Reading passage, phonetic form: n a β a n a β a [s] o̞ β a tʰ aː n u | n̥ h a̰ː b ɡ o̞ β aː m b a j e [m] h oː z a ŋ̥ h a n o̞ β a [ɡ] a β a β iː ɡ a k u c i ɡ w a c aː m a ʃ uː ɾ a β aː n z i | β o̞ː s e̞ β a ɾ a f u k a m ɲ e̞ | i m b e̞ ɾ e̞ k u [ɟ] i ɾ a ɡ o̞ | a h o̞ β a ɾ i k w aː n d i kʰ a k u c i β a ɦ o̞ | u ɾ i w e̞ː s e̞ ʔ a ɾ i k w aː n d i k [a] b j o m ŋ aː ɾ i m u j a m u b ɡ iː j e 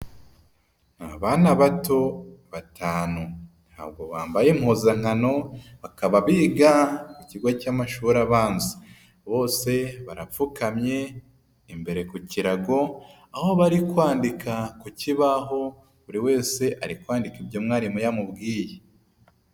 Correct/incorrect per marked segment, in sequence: incorrect, correct, incorrect, incorrect, incorrect

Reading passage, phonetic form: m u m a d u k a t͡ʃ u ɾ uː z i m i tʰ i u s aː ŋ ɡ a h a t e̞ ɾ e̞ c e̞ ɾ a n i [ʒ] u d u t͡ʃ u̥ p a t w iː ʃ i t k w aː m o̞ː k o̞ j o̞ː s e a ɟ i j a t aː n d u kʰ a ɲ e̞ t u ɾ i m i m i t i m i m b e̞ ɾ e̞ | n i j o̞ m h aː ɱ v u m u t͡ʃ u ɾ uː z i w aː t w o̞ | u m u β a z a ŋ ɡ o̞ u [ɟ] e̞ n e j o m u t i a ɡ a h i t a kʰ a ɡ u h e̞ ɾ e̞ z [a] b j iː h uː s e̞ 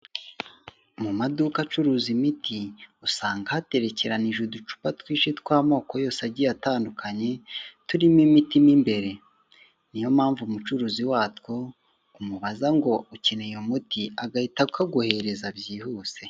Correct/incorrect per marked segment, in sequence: correct, incorrect, correct

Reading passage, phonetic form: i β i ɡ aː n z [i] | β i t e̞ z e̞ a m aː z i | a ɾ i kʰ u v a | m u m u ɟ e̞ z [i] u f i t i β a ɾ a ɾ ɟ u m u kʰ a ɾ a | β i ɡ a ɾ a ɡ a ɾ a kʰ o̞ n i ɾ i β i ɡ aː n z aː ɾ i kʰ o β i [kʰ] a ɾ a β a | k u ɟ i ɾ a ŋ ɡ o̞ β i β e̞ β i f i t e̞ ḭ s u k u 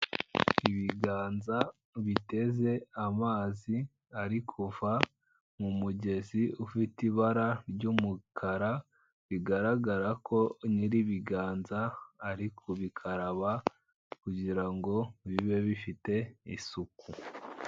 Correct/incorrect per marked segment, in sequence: incorrect, correct, correct

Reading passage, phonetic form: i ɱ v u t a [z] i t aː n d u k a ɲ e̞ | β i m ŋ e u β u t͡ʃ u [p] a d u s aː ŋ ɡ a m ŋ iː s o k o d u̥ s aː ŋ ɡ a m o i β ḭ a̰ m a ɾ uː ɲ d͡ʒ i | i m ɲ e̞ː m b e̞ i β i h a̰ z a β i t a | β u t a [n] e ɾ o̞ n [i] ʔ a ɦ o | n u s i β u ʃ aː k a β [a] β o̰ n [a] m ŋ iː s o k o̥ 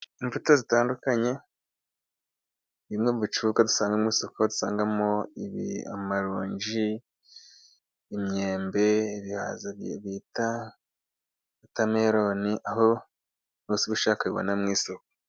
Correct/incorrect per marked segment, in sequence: correct, incorrect, incorrect, correct, incorrect, correct

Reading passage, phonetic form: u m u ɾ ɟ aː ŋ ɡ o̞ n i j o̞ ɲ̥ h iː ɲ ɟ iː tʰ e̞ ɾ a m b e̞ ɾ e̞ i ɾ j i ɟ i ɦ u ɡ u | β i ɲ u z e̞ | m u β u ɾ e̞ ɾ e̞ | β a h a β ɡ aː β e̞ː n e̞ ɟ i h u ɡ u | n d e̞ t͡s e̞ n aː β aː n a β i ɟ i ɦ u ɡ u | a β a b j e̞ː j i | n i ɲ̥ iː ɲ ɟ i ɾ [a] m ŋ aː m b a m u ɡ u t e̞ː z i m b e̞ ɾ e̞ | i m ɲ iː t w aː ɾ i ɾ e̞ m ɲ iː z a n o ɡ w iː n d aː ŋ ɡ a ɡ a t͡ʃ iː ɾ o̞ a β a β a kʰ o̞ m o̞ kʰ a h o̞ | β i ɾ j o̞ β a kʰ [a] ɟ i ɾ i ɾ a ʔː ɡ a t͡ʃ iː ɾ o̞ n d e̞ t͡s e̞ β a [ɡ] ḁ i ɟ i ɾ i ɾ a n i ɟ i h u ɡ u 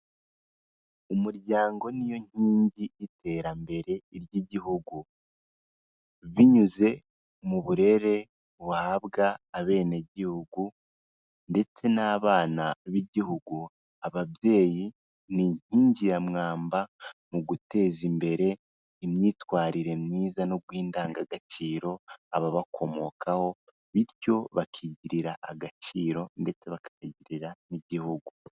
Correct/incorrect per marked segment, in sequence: correct, incorrect, incorrect

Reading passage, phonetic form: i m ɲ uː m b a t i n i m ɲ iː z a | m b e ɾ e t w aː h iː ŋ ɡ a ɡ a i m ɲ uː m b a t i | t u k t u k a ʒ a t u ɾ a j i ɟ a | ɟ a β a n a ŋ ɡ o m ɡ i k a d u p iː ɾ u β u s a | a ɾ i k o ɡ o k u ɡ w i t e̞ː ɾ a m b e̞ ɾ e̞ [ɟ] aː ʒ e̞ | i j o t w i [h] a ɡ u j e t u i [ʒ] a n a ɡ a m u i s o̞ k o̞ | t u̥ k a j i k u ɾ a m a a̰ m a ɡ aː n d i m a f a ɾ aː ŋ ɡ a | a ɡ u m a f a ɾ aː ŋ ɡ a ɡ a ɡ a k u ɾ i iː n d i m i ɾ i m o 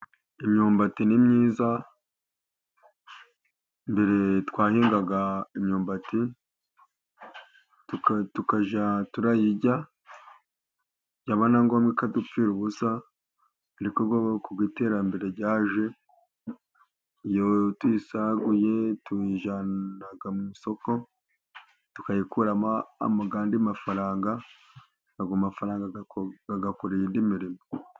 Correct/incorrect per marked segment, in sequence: correct, incorrect, correct

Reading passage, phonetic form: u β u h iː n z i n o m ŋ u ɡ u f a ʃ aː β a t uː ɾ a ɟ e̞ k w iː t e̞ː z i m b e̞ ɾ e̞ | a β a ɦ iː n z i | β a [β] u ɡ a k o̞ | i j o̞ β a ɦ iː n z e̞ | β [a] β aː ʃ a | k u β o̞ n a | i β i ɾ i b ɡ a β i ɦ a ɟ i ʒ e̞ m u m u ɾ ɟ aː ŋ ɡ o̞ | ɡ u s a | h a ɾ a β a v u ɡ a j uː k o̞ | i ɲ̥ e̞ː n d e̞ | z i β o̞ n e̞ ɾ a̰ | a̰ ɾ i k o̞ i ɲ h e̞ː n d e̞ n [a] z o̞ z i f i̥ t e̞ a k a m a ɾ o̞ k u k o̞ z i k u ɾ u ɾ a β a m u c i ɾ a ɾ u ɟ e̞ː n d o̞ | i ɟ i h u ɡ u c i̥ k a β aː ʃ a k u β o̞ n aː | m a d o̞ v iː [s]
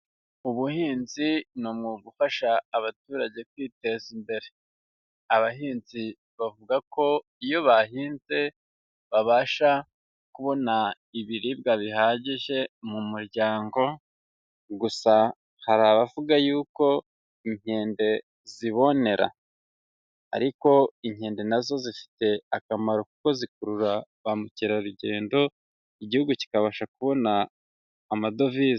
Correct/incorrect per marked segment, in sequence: incorrect, correct, correct, incorrect

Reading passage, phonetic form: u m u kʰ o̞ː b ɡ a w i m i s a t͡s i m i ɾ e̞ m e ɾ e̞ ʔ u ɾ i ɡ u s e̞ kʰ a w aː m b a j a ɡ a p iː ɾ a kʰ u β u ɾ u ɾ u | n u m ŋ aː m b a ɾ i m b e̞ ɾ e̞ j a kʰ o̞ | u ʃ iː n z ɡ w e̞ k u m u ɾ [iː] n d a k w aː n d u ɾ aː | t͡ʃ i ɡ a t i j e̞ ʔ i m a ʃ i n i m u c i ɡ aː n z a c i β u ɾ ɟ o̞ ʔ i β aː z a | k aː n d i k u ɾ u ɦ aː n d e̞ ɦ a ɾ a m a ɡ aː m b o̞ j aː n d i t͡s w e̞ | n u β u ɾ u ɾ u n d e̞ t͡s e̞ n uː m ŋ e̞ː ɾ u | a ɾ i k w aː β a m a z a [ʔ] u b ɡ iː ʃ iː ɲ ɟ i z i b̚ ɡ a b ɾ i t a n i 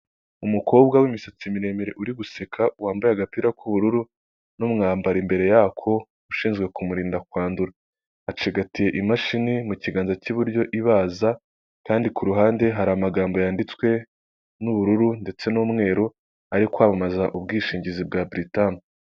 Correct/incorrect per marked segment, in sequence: correct, correct

